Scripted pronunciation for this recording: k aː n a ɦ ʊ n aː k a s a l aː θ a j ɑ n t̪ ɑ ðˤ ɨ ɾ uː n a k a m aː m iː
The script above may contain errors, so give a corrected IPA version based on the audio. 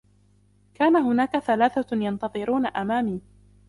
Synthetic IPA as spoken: k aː n a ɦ ʊ n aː k a θ a l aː θ a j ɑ n t̪ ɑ ðˤ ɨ ɾ uː n a ʔ a m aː m iː